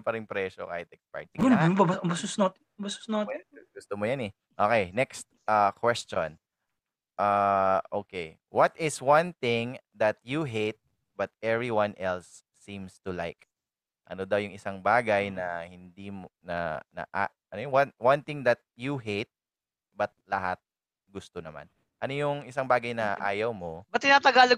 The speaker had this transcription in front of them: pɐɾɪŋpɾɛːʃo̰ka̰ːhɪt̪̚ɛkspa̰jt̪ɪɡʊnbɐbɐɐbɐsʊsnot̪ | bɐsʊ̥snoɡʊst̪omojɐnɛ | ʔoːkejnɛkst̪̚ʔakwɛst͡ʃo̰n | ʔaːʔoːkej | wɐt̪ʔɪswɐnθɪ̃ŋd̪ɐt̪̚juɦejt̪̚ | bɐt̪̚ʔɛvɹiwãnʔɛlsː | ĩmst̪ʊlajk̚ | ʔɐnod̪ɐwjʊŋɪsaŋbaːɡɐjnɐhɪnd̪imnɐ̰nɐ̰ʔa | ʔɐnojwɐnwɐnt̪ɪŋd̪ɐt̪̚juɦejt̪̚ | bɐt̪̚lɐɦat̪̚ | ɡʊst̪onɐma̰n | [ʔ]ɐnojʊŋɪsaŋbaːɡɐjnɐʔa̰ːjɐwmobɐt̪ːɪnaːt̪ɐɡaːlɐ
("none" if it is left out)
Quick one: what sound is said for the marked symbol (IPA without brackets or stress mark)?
ʔ